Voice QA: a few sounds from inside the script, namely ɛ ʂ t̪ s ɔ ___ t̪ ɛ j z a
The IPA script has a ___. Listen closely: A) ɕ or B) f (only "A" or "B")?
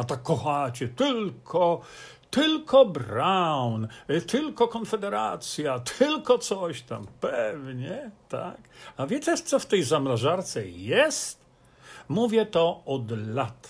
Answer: B